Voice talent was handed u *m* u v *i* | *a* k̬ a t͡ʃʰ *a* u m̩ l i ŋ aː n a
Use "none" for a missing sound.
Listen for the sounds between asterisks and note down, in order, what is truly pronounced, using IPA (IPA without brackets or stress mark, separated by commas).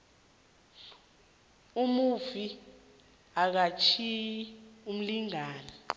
m, i, a, i